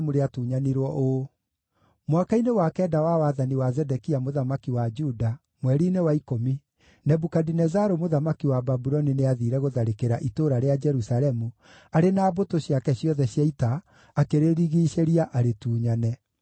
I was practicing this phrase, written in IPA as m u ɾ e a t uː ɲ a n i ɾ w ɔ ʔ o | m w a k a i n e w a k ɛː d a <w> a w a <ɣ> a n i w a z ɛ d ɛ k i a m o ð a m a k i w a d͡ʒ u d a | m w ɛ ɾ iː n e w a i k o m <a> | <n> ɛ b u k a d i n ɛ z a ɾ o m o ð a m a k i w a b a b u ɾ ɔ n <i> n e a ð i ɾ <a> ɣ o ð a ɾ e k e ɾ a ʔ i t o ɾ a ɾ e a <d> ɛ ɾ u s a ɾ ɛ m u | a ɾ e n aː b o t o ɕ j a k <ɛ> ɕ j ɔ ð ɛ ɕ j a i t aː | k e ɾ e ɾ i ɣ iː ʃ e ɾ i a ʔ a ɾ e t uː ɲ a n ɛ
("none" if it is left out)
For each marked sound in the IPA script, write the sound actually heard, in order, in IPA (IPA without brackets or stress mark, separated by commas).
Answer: w, ð, i, n, i, ɛ, d͡ʒ, ɛ